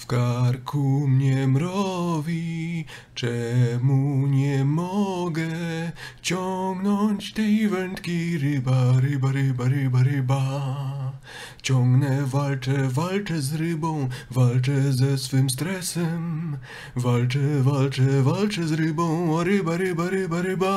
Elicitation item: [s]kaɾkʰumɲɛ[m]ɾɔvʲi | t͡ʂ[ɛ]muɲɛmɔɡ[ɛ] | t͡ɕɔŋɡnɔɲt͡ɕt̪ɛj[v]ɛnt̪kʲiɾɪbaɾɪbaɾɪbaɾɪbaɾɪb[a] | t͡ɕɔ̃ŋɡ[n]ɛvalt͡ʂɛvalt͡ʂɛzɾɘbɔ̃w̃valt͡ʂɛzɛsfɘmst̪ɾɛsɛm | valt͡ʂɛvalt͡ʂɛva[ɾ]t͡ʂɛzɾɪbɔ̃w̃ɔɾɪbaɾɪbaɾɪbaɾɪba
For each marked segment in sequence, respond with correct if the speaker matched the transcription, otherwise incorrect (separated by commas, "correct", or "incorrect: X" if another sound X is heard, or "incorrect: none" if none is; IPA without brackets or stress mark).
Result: incorrect: f, correct, correct, correct, correct, correct, correct, incorrect: l